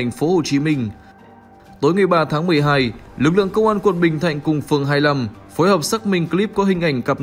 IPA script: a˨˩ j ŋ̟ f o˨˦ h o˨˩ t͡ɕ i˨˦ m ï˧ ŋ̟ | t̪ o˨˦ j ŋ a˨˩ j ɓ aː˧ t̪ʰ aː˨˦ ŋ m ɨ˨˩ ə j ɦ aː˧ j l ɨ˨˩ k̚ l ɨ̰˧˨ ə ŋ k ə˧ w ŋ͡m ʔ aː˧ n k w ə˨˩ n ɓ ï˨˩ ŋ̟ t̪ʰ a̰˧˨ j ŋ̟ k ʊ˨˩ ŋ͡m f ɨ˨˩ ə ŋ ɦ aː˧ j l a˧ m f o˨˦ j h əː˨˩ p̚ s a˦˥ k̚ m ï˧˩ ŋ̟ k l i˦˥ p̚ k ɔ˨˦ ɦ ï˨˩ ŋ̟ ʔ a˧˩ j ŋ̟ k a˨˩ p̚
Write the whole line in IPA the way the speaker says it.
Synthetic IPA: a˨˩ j ŋ̟ f o˨˦ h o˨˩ t͡ɕ i˨˦ m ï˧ ŋ̟ | t̪ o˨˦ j ŋ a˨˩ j ɓ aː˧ t̪ʰ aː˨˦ ŋ m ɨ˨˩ ə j ɦ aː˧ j l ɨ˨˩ k̚ l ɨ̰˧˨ ə ŋ k ə˧ w ŋ͡m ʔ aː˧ n k w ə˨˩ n ɓ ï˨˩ ŋ̟ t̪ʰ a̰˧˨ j ŋ̟ k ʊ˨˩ ŋ͡m f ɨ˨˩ ə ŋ ɦ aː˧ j l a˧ m f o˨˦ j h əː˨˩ p̚ s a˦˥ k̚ m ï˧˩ ŋ̟ k l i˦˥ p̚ k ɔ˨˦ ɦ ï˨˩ ŋ̟ ʔ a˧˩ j ŋ̟ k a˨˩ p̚